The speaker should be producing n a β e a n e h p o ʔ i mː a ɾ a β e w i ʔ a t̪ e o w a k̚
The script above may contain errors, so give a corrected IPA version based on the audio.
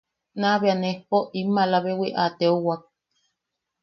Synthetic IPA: n a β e a n e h p o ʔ i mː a l a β e w i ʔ a t̪ e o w a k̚